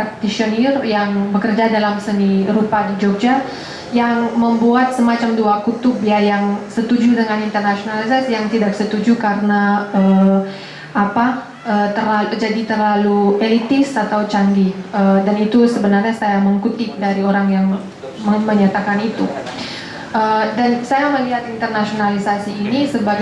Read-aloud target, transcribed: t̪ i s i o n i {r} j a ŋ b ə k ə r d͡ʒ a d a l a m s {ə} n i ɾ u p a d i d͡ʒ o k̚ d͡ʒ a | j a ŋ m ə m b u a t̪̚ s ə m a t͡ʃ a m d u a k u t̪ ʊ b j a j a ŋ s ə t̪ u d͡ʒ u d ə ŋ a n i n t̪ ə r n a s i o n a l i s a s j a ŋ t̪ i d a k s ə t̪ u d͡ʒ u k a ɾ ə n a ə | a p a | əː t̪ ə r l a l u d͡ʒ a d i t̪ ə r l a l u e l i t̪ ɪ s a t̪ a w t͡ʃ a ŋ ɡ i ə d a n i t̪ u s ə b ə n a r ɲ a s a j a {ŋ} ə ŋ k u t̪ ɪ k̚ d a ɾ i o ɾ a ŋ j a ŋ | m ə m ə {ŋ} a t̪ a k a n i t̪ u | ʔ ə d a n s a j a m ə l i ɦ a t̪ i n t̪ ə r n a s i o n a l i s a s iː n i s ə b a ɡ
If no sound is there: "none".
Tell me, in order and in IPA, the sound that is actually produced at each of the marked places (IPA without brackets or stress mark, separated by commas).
r, ə, m, ɲ